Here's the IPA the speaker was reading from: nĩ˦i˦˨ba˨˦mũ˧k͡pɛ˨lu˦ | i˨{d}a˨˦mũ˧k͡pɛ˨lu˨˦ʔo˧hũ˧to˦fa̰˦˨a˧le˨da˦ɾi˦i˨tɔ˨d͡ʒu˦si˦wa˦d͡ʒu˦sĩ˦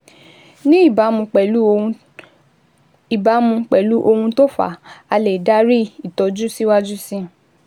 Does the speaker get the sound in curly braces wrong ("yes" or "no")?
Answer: yes